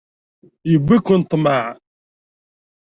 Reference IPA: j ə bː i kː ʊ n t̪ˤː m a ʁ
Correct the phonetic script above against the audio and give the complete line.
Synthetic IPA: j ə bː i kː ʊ n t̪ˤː m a ʕ